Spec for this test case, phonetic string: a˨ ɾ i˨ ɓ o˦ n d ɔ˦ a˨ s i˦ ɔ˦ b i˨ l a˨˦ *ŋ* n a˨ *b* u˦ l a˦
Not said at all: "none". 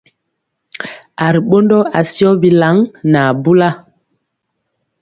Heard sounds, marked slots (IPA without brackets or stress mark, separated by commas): ŋ, b